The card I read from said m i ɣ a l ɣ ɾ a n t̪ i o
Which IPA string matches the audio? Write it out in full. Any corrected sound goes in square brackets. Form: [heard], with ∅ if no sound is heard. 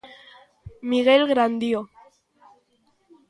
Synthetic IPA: m i ɣ [e] l ɣ ɾ a n [d̪] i o